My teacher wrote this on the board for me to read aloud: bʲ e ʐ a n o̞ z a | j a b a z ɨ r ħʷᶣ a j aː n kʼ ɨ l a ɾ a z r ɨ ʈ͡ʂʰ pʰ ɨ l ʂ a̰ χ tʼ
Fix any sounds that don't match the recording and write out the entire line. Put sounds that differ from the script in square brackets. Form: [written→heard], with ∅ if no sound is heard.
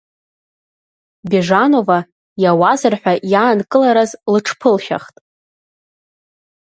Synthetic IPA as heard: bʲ e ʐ a n o̞ [z→v] a | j a [b→w] a z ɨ r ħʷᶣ a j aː n kʼ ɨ l a ɾ a z [r→l] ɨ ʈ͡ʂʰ pʰ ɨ l [ʂ→ʃ] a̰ χ tʼ